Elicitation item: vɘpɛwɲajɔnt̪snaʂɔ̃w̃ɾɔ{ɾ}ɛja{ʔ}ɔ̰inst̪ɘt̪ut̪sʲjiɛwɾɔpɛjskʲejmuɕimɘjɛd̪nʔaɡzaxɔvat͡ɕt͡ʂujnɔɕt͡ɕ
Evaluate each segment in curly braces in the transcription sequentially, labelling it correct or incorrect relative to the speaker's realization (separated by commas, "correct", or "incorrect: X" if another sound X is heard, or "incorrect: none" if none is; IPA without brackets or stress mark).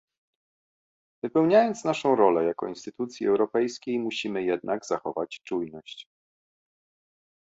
incorrect: l, incorrect: k